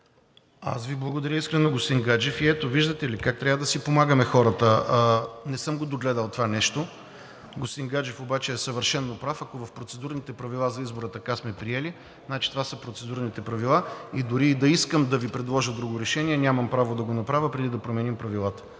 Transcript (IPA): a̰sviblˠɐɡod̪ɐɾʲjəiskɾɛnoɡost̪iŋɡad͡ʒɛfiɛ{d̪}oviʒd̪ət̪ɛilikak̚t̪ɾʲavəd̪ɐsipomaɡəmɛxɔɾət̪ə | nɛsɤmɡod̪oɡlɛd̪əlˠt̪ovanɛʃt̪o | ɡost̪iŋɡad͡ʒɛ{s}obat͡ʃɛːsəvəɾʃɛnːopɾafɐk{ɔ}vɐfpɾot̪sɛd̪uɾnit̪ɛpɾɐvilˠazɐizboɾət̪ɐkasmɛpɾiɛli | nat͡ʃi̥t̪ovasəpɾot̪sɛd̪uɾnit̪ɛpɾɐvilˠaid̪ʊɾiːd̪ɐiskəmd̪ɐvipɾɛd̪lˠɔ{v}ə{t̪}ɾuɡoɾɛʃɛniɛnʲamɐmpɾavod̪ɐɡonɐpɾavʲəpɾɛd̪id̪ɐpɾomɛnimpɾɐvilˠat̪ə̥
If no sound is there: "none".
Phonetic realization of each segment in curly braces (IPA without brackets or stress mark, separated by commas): t̪, f, o, ʒ, d̪